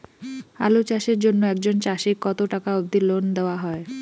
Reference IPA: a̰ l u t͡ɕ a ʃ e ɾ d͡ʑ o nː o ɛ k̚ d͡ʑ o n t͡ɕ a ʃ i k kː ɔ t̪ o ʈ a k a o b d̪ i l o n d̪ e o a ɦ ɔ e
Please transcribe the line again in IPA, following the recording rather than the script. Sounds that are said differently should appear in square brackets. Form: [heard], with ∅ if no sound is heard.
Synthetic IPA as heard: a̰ l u t͡ɕ a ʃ e ɾ d͡ʑ o nː o ɛ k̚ d͡ʑ o n t͡ɕ a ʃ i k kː ɔ t̪ o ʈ a k a o b d̪ i l o n d̪ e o a ɦ ɔ e